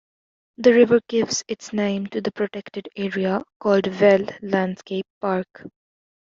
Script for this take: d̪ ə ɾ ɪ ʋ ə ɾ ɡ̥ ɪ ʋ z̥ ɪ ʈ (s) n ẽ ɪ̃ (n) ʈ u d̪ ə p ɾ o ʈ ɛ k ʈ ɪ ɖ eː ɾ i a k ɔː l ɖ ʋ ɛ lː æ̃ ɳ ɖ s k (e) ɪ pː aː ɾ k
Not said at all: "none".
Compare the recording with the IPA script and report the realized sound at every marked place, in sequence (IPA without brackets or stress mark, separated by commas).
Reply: s, m, e